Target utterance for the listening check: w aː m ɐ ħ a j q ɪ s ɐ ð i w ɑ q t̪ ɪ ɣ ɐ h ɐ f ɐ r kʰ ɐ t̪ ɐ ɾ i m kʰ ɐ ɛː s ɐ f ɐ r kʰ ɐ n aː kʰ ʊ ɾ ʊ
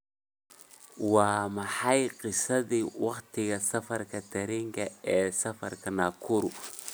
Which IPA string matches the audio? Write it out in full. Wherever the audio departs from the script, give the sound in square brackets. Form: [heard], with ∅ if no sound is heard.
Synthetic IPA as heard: w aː m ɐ ħ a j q ɪ s ɐ ð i w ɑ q t̪ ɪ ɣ ɐ [s] ɐ f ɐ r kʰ ɐ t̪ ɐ ɾ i [ŋ] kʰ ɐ ɛː s ɐ f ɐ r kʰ ɐ n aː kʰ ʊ ɾ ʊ